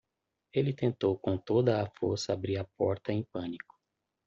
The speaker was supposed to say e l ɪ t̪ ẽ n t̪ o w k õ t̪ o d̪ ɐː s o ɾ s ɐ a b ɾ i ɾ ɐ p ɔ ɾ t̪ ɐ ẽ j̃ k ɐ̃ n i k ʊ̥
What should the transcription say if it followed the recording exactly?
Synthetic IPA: e l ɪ t̪ ẽ n t̪ o w k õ t̪ o d̪ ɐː f o ɾ s ɐ a b ɾ i ɾ ɐ p ɔ ɾ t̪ ɐ ẽ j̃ p ɐ̃ n i k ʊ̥